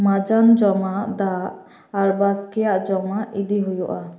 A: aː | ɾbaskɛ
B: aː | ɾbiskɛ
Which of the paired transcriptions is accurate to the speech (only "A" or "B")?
A